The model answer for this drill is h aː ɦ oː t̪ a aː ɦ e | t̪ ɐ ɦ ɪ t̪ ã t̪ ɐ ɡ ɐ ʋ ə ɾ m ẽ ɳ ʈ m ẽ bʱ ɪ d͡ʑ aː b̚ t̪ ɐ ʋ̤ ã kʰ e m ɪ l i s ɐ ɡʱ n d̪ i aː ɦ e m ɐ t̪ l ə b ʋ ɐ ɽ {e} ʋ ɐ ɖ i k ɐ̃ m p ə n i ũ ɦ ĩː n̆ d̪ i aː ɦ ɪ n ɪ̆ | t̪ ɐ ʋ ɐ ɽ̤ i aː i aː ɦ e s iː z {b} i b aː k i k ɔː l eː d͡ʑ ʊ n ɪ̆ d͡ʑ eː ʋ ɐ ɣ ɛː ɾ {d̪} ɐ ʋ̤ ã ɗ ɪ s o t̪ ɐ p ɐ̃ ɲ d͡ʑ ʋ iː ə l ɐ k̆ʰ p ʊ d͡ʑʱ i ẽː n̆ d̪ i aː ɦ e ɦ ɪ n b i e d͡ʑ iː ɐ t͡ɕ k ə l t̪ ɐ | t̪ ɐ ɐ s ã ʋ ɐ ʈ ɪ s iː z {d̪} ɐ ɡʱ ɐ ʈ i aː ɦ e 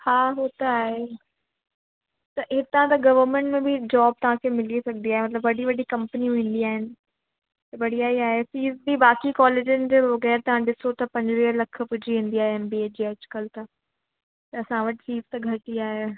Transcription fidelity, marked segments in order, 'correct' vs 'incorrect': incorrect, correct, incorrect, incorrect

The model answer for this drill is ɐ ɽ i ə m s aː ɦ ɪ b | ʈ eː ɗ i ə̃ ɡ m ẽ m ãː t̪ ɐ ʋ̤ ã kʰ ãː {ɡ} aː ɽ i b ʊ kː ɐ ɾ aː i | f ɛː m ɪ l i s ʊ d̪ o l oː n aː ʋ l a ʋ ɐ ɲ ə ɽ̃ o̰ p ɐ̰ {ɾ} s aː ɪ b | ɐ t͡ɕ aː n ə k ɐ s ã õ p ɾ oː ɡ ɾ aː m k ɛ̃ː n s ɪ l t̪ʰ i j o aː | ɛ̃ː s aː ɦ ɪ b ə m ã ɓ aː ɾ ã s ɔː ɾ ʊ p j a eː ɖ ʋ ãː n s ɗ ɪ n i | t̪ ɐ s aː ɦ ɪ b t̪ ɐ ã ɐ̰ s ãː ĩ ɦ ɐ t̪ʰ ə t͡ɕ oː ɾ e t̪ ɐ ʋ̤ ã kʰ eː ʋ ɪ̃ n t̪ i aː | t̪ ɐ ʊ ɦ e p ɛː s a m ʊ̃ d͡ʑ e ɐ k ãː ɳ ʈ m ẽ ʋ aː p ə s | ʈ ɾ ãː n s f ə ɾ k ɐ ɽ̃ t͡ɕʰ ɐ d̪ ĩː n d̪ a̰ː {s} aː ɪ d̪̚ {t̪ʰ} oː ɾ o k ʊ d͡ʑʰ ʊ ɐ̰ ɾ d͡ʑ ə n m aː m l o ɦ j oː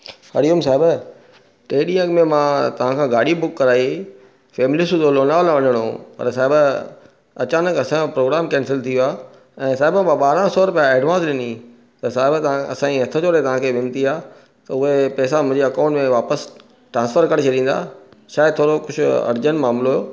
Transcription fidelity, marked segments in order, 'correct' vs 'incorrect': correct, correct, incorrect, correct

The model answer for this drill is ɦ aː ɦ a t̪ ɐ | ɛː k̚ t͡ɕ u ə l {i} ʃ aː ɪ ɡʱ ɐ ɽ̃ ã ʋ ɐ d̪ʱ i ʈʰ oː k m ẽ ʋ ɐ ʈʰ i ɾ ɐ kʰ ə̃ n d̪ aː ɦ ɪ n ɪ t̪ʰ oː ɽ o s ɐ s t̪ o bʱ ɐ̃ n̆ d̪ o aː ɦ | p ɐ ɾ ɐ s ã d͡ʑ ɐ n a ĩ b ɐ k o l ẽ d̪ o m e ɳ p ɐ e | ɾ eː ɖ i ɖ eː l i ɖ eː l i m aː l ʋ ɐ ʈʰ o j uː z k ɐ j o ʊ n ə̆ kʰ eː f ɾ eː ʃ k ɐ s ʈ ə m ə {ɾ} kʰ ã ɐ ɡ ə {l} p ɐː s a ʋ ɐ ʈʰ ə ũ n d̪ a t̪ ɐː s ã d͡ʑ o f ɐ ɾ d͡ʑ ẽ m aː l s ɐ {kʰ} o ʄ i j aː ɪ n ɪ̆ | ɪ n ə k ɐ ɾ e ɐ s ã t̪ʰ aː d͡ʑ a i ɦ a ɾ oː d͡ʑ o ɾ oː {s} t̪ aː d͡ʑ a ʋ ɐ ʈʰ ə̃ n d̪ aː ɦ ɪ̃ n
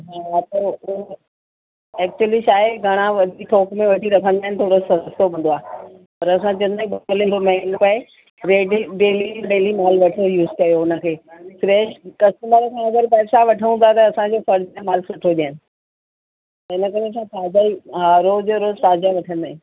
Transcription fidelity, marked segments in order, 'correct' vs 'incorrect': correct, correct, incorrect, incorrect, incorrect

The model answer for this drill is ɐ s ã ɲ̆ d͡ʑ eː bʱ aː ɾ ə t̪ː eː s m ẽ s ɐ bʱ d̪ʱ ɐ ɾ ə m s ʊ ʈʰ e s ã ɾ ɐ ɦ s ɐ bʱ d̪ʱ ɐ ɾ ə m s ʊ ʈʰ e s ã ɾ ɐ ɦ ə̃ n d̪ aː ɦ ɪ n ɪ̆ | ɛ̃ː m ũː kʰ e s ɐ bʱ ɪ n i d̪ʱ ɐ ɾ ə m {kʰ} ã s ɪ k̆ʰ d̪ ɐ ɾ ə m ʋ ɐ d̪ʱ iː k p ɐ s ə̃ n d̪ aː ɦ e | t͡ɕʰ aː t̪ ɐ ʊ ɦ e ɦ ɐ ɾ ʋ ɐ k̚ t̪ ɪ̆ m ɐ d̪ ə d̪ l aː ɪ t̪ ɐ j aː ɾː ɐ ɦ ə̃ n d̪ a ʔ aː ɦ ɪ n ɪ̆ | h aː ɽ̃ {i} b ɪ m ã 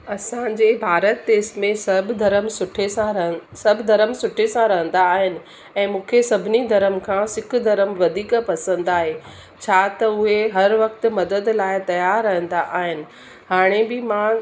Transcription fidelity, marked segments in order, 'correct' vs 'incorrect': correct, incorrect

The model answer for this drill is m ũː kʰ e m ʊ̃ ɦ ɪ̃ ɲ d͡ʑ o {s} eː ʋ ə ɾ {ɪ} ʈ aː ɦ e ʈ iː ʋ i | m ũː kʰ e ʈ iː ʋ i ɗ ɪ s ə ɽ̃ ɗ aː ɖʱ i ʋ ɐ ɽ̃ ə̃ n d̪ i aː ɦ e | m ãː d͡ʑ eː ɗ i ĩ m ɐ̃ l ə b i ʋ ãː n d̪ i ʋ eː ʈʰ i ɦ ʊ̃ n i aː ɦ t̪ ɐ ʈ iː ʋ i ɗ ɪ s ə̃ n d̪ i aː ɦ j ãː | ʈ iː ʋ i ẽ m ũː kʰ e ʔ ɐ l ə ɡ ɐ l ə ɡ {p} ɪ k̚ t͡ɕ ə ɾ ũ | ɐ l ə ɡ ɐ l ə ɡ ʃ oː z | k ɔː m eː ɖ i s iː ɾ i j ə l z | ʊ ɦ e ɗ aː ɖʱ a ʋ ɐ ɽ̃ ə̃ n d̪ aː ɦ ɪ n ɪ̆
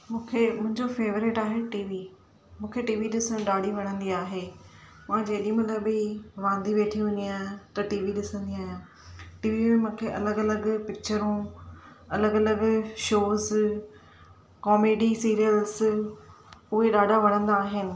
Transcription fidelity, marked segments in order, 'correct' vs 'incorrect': incorrect, correct, correct

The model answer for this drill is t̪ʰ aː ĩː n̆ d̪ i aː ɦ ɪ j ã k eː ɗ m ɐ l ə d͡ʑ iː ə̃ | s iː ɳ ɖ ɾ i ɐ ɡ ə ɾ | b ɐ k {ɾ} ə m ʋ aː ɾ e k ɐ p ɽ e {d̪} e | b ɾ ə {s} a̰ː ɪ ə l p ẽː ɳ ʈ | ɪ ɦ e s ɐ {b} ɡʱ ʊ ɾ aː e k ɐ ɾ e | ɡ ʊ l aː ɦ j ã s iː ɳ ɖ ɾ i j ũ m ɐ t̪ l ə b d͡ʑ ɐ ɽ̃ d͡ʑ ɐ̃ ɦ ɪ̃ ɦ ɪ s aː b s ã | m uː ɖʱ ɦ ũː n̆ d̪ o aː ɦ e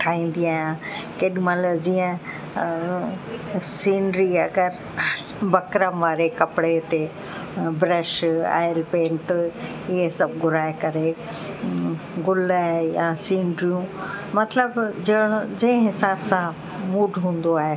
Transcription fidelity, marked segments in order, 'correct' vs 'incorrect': correct, incorrect, incorrect, correct

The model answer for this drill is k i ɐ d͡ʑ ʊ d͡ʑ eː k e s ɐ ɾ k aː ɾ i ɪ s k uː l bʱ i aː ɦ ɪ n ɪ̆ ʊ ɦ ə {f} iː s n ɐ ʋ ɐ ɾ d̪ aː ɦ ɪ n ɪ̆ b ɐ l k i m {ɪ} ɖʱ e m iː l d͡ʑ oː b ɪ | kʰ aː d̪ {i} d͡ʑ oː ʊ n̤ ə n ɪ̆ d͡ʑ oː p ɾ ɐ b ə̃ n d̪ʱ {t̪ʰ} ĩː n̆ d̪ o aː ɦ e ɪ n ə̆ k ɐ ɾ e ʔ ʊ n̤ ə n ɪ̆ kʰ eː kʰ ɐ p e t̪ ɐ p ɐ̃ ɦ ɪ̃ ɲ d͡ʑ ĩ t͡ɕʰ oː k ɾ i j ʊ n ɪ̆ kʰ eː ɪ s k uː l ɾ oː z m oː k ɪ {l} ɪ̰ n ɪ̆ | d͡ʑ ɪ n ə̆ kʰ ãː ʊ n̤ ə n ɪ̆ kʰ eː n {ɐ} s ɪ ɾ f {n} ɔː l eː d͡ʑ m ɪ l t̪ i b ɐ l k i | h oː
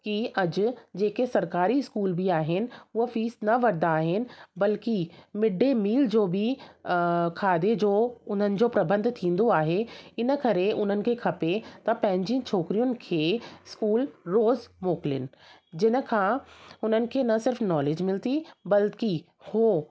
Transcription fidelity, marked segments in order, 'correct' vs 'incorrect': correct, correct, incorrect, correct, correct, correct, correct

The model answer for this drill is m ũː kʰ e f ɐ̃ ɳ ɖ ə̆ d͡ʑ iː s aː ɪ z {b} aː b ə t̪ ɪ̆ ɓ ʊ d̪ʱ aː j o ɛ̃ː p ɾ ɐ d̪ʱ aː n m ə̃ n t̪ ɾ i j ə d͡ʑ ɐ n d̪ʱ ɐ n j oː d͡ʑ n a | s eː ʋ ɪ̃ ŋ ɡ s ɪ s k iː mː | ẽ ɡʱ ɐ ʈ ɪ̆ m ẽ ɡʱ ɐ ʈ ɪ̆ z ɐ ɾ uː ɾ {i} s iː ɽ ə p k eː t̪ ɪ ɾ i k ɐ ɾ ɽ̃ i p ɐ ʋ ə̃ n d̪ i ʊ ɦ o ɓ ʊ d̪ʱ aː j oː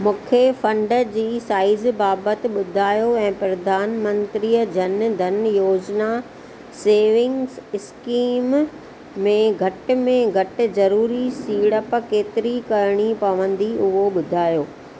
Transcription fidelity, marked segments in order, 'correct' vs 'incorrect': correct, correct

